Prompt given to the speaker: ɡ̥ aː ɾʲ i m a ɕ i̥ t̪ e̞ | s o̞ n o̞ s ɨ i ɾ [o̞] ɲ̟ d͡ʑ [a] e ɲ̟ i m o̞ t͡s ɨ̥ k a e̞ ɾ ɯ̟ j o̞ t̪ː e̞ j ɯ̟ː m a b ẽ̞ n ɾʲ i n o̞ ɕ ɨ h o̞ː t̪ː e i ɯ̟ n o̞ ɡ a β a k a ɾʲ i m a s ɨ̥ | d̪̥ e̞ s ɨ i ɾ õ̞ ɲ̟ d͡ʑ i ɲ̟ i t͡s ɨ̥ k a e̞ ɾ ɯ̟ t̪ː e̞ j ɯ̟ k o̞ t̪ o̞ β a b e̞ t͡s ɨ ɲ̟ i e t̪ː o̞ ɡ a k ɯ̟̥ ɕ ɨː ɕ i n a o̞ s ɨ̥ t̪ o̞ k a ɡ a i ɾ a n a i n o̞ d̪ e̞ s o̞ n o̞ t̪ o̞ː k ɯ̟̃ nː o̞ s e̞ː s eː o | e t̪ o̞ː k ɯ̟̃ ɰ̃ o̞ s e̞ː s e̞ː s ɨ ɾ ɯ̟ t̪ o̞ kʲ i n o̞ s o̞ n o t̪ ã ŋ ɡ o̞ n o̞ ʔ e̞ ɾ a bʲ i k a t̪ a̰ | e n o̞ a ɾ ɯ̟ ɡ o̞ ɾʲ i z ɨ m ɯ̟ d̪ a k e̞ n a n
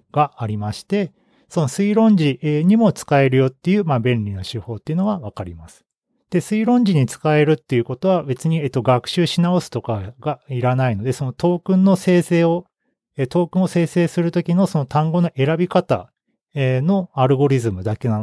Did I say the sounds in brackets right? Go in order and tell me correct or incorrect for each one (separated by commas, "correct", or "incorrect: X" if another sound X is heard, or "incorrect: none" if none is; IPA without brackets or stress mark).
incorrect: õ̞, incorrect: i